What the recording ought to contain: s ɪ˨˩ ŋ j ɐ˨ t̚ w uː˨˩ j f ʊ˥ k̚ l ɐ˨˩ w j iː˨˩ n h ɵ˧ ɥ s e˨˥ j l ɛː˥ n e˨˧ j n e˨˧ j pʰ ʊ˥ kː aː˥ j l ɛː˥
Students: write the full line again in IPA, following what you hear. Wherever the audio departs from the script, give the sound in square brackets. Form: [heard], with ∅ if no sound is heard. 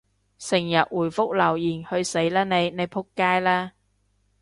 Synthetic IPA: s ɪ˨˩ ŋ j ɐ˨ t̚ w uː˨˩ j f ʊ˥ k̚ l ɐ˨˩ w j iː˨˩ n h ɵ˧ ɥ s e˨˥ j l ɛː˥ n e˨˧ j n e˨˧ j pʰ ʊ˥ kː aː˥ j l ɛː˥